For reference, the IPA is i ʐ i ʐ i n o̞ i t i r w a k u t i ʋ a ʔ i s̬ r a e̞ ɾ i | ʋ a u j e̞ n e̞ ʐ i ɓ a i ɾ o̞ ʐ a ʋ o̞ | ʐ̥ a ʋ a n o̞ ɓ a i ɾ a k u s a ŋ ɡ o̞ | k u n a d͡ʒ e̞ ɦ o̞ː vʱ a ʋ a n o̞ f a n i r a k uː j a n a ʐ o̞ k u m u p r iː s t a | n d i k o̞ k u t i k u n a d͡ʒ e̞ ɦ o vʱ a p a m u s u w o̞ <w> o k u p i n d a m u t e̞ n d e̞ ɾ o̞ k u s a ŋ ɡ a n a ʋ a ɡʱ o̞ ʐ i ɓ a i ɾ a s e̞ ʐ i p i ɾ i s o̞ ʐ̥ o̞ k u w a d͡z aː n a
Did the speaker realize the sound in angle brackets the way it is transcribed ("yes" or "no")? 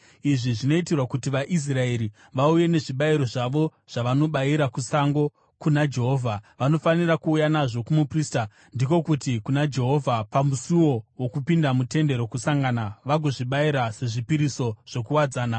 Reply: yes